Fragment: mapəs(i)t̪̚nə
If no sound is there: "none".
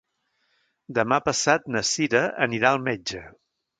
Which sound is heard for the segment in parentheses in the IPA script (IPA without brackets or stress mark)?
a